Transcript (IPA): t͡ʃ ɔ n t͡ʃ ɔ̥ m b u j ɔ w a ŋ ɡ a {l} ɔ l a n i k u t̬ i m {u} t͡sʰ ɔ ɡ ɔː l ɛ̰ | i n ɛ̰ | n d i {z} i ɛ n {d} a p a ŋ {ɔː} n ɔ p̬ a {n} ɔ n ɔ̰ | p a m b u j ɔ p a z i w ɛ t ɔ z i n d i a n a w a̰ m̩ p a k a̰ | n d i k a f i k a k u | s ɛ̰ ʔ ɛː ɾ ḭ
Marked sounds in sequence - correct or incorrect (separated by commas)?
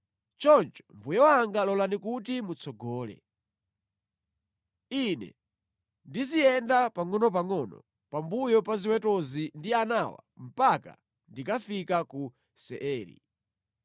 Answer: correct, correct, correct, correct, incorrect, incorrect